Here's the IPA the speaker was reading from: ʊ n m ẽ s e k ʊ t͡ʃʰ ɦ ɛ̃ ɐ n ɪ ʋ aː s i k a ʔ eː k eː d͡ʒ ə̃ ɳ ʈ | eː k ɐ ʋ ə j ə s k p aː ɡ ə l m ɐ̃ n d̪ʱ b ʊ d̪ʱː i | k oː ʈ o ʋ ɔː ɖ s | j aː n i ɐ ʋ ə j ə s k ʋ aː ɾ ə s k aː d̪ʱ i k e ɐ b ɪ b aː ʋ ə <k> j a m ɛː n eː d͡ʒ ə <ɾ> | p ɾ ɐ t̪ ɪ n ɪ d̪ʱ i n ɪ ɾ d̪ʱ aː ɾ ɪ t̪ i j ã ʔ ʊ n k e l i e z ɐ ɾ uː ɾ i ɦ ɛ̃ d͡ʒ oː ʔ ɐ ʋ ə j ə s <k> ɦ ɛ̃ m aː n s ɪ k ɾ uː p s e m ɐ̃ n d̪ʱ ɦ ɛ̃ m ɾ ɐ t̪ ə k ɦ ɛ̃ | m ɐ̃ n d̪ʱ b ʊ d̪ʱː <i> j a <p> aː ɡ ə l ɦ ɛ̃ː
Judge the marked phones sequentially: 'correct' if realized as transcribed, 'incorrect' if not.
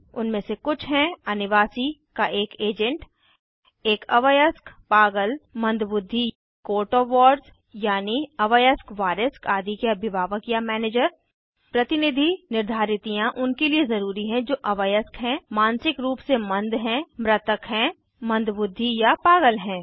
correct, correct, correct, correct, correct

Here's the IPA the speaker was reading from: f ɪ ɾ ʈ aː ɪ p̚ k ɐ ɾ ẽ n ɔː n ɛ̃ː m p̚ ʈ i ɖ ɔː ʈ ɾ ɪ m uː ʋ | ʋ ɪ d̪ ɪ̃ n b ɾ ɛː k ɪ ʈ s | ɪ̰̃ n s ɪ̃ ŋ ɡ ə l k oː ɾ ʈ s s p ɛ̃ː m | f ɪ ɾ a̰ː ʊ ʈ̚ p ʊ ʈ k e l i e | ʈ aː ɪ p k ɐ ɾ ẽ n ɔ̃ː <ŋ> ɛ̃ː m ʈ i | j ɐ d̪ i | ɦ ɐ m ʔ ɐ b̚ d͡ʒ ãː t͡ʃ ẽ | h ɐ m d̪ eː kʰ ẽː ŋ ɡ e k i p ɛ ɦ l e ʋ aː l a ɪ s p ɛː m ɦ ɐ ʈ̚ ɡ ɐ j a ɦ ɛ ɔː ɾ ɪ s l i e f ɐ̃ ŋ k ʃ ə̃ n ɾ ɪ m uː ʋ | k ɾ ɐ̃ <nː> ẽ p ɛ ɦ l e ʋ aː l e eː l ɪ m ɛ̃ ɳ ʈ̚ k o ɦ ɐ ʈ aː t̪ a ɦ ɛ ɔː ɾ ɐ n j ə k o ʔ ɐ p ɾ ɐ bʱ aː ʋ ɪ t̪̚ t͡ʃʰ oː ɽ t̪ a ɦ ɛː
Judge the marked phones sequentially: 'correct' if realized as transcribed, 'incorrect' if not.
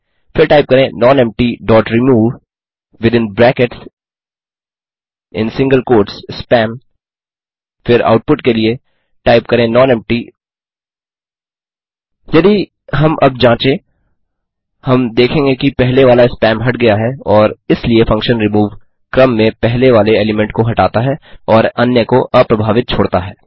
incorrect, incorrect

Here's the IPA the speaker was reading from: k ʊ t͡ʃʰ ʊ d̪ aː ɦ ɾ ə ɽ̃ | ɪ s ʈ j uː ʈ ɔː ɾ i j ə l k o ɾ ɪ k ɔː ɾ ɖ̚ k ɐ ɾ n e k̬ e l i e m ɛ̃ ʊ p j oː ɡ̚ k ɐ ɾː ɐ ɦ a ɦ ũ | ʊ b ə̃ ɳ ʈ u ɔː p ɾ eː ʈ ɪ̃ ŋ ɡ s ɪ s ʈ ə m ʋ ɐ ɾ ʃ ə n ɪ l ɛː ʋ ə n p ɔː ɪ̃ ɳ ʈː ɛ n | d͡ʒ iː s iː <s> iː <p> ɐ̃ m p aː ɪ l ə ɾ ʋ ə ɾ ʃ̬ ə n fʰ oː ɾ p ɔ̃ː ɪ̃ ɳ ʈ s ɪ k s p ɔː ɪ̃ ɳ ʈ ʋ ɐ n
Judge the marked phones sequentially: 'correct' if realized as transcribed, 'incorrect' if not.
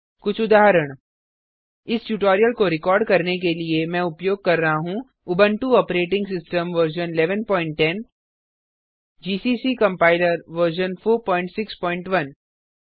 correct, incorrect

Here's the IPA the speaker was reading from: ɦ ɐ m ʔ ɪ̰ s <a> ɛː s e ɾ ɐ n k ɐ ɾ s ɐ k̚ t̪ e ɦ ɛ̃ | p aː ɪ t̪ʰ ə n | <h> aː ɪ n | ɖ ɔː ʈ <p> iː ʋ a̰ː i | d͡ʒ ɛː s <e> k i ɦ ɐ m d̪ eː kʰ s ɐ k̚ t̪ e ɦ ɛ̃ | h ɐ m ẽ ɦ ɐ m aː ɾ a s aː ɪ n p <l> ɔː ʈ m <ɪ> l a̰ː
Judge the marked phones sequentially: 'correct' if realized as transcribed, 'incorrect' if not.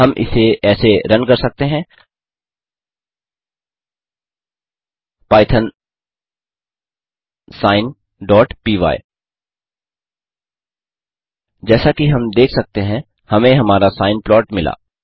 incorrect, incorrect, correct, incorrect, correct, correct

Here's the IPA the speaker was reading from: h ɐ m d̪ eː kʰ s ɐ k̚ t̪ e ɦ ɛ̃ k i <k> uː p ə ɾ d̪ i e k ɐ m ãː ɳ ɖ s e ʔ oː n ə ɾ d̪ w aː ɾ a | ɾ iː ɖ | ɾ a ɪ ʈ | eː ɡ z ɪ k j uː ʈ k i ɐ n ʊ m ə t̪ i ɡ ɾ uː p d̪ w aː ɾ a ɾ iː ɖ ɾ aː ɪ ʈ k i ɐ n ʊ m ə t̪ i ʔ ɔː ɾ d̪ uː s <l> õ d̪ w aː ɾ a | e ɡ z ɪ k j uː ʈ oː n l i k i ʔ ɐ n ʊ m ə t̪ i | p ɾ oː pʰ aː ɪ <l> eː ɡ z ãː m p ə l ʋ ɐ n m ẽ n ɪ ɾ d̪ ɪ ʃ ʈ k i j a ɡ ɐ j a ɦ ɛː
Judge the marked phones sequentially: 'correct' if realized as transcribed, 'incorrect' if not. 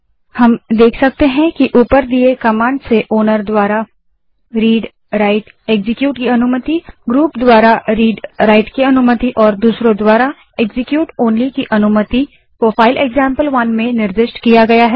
incorrect, incorrect, correct

